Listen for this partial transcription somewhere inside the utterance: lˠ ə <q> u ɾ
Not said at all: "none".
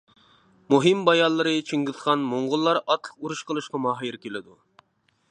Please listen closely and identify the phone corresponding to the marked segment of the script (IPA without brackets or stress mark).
q